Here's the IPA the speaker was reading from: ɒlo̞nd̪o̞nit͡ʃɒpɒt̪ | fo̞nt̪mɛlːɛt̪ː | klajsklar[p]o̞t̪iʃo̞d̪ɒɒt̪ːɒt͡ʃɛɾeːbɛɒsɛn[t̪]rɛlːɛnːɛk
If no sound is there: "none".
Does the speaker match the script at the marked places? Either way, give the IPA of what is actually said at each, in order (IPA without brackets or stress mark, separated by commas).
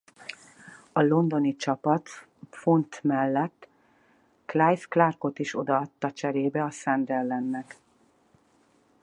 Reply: k, d̪